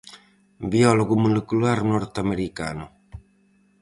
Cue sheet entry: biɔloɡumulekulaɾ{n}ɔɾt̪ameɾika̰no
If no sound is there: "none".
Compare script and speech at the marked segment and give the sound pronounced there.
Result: n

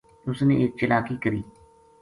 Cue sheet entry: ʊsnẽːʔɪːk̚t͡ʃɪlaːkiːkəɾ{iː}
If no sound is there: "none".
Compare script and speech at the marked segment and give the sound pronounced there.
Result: iː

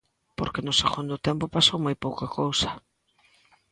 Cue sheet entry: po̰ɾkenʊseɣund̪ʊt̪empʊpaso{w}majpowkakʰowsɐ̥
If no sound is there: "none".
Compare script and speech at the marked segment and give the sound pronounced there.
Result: w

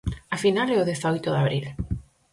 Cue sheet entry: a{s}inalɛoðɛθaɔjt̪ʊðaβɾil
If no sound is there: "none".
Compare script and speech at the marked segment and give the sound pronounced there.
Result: f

